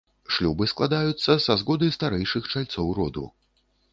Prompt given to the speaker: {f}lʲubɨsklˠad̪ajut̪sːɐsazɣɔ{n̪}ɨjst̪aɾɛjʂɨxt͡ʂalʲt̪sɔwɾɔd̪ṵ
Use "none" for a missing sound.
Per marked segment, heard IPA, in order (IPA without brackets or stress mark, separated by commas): ʂ, d̪